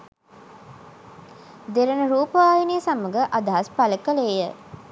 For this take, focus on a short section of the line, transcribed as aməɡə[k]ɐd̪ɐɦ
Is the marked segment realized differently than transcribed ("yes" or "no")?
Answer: yes